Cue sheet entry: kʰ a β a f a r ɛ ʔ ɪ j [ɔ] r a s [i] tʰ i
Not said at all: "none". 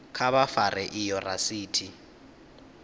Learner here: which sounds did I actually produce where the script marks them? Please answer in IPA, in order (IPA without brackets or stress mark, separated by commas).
ɔ, iː